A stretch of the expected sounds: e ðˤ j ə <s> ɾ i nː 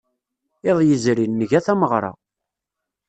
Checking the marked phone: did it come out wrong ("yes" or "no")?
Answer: yes